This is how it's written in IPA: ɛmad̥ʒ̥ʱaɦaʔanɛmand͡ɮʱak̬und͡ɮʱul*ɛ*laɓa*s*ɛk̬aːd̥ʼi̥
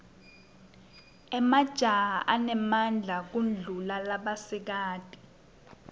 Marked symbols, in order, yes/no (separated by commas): no, yes